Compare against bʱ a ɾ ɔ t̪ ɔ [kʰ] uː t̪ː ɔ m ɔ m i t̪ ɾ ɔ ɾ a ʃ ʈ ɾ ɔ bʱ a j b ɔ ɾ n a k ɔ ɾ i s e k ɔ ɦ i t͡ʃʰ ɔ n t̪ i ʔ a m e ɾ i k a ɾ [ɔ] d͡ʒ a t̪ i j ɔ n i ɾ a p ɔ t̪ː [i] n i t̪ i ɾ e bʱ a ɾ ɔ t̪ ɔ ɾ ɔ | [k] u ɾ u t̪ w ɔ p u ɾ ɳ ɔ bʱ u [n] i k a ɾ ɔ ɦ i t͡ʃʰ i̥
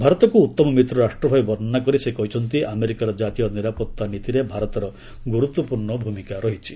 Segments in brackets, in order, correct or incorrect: incorrect, correct, incorrect, incorrect, incorrect

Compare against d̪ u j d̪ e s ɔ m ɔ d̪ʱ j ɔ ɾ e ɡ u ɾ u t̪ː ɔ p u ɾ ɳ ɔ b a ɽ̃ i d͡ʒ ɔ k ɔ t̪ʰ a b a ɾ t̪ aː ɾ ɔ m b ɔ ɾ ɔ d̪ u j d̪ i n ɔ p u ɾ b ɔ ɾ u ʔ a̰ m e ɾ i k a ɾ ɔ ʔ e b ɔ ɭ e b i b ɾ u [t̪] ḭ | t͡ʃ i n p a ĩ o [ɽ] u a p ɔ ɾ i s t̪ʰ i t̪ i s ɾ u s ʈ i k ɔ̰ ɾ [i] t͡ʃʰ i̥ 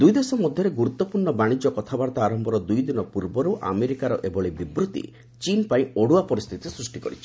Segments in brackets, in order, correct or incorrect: correct, correct, correct

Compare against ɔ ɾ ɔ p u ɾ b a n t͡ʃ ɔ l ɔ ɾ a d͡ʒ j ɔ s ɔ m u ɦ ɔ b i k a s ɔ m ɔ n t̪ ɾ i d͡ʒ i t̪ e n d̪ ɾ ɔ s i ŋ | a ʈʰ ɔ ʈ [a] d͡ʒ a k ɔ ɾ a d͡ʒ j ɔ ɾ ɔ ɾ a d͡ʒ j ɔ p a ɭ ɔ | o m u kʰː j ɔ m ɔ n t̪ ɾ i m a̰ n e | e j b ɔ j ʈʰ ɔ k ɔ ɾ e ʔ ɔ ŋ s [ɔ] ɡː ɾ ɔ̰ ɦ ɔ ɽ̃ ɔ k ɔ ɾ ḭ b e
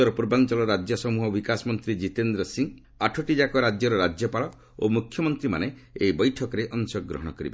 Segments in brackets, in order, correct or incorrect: incorrect, correct

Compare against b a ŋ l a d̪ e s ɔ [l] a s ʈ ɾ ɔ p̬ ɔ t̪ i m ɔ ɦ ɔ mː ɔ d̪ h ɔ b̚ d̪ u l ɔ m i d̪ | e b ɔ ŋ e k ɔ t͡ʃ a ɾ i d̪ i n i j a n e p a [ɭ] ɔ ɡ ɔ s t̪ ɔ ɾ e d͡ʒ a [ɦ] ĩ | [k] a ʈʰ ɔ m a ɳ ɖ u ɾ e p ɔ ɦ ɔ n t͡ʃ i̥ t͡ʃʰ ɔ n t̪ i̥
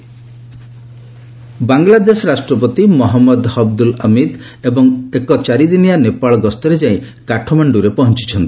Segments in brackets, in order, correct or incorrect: incorrect, correct, incorrect, correct

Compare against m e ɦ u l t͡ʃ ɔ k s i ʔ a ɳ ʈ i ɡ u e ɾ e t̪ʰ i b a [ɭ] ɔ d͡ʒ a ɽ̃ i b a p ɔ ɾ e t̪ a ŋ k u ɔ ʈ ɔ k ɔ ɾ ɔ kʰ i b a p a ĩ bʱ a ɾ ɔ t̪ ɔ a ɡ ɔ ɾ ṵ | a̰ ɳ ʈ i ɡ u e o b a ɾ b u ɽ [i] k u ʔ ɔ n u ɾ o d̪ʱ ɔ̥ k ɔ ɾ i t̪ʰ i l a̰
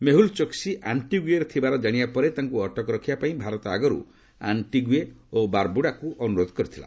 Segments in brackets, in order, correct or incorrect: incorrect, incorrect

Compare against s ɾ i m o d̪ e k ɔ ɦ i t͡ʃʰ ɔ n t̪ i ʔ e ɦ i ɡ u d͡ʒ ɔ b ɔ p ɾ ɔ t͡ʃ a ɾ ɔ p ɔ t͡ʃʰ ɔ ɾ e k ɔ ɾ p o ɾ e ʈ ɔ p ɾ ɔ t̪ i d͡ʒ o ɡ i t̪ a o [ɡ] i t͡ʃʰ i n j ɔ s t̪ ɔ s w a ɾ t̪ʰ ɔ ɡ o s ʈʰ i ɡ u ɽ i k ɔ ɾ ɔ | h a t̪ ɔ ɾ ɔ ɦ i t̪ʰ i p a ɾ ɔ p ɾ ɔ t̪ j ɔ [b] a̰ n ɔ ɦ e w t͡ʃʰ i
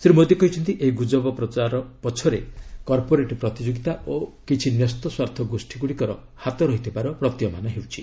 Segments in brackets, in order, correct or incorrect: incorrect, incorrect

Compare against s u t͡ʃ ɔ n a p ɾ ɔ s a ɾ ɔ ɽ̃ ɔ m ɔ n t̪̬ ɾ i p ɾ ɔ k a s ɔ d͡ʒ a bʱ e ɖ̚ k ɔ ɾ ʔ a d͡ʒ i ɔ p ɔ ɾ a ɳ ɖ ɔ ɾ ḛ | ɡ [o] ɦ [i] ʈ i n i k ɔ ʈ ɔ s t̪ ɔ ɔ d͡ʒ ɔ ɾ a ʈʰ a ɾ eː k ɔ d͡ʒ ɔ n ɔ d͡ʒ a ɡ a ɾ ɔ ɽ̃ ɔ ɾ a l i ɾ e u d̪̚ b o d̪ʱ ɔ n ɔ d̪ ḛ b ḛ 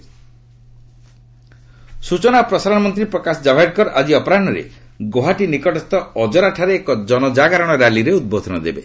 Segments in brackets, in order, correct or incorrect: correct, incorrect

